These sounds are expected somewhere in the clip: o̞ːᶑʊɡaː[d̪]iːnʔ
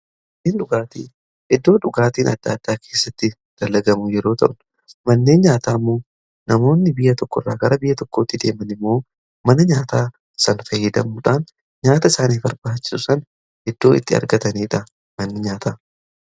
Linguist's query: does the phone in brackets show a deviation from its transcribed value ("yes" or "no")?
yes